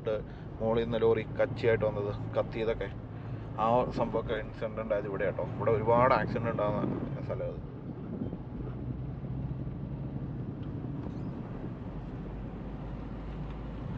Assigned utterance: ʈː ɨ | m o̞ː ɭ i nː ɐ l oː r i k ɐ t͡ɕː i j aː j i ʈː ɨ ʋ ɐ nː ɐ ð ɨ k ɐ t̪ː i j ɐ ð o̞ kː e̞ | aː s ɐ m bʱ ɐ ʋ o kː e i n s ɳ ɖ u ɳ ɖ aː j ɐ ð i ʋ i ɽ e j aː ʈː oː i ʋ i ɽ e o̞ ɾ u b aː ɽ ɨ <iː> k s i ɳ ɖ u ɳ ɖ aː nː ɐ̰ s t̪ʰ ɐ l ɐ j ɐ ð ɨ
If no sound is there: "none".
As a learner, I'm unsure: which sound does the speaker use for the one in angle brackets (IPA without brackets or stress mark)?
aː